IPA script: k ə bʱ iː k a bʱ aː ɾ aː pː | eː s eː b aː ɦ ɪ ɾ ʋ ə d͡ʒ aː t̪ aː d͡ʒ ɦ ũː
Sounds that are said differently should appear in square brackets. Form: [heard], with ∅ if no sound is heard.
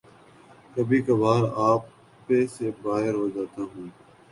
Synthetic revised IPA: k ə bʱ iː k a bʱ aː ɾ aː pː | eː s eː b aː ɦ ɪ ɾ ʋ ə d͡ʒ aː t̪ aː [∅] ɦ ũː